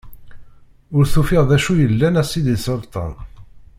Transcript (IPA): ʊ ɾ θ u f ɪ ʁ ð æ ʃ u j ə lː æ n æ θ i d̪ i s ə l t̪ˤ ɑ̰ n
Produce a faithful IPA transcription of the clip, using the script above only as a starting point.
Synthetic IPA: ʊ ɾ θ u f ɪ ʁ ð æ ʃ u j ə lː æ n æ s i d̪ i s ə l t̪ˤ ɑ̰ n